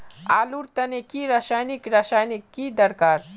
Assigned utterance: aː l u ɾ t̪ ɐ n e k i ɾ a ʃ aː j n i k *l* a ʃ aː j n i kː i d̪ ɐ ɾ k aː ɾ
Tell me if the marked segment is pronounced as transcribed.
no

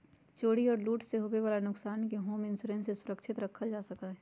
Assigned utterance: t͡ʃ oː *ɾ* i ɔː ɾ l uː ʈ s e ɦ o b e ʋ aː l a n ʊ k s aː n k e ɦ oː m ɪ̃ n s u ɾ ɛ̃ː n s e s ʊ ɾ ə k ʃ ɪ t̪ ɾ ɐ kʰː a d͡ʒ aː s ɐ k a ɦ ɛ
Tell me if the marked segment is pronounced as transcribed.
no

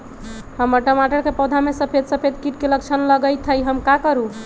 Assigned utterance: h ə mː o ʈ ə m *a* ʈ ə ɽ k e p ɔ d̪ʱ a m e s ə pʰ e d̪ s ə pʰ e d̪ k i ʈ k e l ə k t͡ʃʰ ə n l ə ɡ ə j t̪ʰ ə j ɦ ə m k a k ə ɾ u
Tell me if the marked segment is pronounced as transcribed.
yes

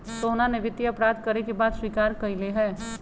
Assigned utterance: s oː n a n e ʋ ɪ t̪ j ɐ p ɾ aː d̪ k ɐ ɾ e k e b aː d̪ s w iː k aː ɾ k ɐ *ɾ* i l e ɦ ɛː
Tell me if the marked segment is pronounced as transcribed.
no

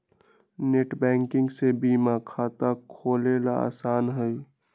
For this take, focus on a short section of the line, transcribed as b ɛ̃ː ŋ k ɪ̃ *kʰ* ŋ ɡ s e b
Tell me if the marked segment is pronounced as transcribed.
no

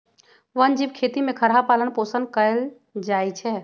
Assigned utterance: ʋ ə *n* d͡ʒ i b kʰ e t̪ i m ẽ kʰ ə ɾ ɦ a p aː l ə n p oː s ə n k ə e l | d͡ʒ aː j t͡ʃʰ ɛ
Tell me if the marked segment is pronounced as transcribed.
yes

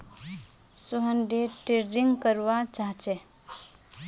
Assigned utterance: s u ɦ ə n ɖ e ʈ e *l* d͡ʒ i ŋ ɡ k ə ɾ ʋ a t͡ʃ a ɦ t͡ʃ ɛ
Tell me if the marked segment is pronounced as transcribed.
no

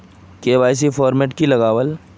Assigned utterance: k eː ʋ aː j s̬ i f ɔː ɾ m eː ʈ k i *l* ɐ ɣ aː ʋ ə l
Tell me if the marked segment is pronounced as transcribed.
yes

